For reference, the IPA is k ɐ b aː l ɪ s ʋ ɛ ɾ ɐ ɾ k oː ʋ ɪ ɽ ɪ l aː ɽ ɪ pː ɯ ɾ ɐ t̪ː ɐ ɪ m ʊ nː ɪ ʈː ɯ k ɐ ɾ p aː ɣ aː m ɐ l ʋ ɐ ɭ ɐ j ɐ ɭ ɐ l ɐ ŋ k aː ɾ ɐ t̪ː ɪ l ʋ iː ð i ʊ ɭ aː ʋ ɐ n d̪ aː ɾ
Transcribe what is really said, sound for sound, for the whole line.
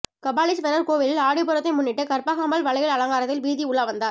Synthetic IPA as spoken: k ɐ b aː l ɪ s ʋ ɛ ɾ ɐ ɾ k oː ʋ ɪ l ɪ l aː ɽ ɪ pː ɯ ɾ ɐ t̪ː ɐ ɪ m ʊ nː ɪ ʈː ɯ k ɐ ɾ p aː ɣ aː m ɐ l ʋ ɐ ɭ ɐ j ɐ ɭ ɐ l ɐ ŋ ɡ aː ɾ ɐ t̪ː ɪ l ʋ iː ð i ʊ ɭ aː ʋ ɐ n d̪ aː ɾ